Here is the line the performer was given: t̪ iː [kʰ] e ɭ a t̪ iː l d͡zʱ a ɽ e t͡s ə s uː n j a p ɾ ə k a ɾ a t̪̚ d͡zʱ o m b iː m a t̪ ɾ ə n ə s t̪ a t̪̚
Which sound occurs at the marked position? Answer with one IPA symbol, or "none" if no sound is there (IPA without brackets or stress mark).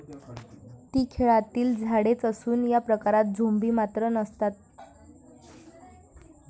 kʰ